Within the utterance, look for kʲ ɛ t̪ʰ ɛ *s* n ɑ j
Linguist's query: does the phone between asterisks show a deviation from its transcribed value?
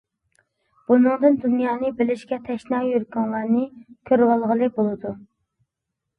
yes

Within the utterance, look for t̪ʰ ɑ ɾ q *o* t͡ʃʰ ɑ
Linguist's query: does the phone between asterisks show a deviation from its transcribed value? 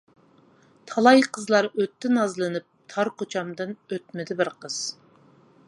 no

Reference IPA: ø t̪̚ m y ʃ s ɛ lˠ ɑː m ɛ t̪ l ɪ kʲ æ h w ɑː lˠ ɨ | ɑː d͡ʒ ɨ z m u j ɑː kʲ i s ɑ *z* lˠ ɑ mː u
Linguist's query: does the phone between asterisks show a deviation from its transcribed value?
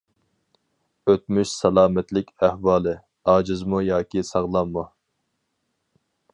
yes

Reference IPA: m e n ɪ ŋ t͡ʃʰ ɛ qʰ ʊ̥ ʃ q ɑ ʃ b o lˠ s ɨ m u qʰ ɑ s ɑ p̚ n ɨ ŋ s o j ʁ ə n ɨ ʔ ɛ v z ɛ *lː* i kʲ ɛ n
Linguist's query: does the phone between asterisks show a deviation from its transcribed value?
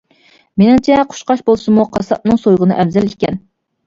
yes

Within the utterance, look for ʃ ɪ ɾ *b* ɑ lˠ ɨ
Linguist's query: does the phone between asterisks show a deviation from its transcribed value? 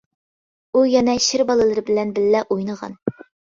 no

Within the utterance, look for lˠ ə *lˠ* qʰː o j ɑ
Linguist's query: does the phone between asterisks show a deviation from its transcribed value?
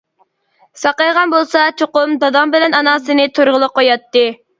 yes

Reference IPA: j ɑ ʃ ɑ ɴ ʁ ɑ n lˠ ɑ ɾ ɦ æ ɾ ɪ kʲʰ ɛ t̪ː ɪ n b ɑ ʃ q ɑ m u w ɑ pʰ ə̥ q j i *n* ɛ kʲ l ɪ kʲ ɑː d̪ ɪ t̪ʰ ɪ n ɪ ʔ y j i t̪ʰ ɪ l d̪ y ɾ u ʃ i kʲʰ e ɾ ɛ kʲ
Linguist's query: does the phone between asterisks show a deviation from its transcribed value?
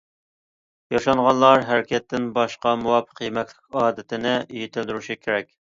yes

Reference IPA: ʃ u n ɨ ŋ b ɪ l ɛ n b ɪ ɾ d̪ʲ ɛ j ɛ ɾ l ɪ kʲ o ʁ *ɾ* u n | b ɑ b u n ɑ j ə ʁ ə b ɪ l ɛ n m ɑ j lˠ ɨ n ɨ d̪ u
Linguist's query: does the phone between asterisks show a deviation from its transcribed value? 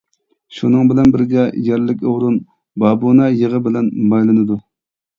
no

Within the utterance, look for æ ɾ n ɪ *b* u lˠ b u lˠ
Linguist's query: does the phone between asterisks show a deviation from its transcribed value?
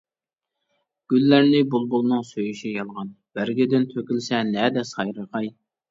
no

